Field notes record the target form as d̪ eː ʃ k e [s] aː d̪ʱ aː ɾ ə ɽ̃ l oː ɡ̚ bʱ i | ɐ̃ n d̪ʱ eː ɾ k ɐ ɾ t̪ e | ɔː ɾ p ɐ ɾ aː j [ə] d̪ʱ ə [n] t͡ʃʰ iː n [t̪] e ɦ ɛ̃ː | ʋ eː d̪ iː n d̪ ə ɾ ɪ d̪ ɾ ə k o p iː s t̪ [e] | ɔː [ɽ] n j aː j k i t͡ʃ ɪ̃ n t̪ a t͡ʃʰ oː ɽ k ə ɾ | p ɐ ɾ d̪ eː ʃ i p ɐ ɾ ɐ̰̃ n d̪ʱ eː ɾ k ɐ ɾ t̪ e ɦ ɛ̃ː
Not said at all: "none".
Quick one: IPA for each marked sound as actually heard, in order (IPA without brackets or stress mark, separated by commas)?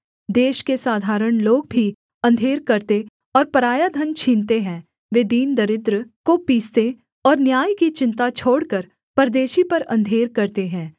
s, a, n, t̪, e, ɾ